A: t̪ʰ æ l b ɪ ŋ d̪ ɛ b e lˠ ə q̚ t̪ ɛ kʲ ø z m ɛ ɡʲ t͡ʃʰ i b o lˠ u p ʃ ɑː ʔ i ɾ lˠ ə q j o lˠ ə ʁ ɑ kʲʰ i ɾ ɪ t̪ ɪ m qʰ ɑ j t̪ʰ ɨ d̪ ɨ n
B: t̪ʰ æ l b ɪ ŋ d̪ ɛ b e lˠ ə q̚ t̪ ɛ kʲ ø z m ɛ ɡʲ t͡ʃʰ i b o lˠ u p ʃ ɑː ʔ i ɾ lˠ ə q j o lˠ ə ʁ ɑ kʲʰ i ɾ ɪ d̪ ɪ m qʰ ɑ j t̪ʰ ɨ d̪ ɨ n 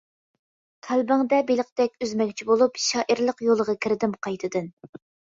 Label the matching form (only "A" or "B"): B